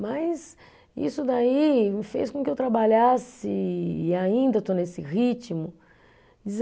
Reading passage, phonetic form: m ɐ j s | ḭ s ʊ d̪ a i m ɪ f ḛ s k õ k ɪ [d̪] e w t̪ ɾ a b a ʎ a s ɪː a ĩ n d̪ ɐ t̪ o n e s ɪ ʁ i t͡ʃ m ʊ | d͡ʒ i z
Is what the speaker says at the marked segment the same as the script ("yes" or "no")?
no